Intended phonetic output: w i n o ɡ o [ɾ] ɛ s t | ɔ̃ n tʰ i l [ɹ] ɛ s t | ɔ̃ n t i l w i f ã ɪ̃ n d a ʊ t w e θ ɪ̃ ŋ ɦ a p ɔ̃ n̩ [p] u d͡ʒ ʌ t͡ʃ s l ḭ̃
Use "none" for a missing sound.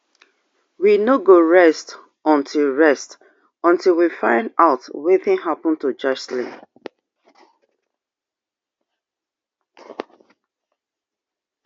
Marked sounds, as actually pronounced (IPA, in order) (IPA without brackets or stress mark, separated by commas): ɹ, ɹ, t